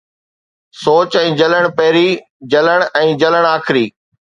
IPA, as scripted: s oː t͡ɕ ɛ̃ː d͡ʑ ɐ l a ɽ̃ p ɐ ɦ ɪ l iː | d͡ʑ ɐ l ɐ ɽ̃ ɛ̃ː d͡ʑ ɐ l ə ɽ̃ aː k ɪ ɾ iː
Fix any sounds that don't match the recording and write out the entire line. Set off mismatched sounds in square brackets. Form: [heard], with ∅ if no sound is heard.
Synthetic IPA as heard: s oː t͡ɕ ɛ̃ː d͡ʑ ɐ l [ə] ɽ̃ p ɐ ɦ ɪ [ɾ] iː | d͡ʑ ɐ l [ə] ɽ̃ ɛ̃ː d͡ʑ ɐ l ə ɽ̃ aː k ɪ ɾ iː